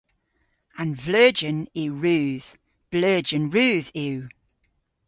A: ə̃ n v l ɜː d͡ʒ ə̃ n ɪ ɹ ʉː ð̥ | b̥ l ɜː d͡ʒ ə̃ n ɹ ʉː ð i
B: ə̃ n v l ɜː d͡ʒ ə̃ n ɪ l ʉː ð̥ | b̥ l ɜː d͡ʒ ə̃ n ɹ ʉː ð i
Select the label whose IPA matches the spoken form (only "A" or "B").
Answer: A